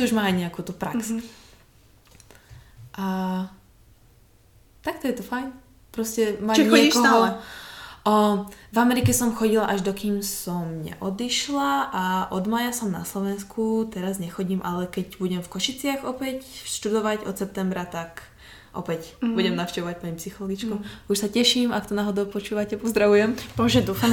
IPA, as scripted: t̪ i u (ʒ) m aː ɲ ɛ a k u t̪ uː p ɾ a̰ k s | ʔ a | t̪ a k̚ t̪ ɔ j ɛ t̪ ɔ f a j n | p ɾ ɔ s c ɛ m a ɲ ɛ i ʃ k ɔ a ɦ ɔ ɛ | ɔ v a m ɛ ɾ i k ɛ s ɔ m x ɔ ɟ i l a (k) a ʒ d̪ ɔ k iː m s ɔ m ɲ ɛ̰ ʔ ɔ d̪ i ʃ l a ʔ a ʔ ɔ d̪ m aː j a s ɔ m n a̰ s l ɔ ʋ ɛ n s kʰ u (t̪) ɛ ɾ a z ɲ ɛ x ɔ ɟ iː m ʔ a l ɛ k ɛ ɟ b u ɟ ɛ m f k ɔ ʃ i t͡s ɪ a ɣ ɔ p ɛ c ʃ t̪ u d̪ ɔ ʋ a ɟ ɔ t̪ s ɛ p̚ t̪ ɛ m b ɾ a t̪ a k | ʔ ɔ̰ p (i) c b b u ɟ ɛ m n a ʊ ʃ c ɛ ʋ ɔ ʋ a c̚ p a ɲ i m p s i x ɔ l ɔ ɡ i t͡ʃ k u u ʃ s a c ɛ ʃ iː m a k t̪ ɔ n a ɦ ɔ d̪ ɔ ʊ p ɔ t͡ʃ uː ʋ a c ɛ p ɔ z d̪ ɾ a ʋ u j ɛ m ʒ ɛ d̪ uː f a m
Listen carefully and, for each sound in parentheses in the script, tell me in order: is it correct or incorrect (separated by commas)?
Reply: correct, incorrect, correct, incorrect